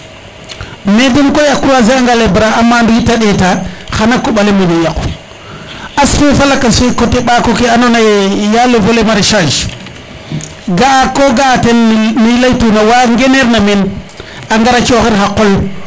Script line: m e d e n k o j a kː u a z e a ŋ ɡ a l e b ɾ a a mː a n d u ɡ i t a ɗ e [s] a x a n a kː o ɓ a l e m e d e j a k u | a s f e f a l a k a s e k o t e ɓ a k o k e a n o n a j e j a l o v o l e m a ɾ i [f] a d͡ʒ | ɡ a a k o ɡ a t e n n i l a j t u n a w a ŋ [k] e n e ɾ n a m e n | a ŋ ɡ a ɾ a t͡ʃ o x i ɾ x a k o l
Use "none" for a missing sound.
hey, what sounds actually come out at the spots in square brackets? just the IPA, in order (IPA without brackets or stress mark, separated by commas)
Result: t, ʃ, ɡ